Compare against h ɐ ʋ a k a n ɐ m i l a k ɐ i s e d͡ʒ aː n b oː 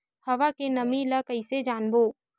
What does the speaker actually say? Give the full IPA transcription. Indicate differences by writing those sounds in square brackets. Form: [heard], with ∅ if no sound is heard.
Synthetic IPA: h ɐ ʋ a k [e] n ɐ m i l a k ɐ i s e d͡ʒ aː n b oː